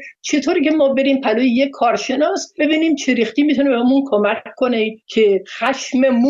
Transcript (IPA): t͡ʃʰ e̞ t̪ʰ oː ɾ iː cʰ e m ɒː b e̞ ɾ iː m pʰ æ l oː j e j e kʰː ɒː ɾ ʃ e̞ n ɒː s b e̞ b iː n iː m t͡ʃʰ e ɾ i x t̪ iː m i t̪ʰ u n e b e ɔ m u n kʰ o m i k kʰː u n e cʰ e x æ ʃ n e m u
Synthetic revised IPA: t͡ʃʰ e̞ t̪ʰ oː ɾ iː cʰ e m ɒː b e̞ ɾ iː m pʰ æ l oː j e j e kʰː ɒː ɾ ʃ e̞ n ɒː s b e̞ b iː n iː m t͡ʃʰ e ɾ i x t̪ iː m i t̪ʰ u n e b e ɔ m u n kʰ o m æ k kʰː o n e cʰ e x æ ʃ m e m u